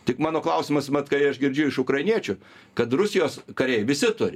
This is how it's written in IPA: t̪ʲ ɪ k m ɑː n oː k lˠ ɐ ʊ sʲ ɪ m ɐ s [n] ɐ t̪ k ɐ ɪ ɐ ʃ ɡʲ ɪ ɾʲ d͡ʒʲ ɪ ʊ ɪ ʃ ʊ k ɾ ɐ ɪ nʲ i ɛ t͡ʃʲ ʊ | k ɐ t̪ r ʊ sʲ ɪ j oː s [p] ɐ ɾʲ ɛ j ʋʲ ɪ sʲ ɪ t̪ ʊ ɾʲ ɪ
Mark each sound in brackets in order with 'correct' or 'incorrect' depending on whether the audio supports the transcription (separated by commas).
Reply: incorrect, incorrect